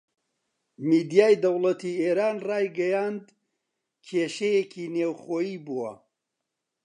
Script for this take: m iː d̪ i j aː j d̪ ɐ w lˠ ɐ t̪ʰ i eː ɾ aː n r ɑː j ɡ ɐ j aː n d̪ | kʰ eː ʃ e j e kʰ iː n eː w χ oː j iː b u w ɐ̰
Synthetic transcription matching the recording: m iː d̪ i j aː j d̪ ɐ w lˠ ɐ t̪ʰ i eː ɾ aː n r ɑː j ɡ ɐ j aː n d̪ | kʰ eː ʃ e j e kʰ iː n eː w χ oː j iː b u w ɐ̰